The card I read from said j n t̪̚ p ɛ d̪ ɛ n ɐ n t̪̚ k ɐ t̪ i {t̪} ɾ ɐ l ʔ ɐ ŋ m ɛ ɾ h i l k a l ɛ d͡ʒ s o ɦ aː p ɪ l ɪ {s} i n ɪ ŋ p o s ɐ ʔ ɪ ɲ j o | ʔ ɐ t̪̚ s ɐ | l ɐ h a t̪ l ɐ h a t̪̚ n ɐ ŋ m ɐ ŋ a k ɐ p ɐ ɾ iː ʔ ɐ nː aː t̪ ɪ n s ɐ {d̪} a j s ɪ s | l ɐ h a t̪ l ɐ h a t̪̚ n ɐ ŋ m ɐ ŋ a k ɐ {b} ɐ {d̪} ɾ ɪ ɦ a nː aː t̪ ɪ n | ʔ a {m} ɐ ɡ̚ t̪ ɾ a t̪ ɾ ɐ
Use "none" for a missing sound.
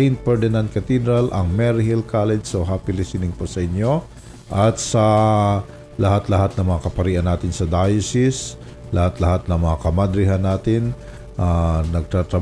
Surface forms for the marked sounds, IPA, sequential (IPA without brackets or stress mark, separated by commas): d̪, s, d̪, m, d̪, n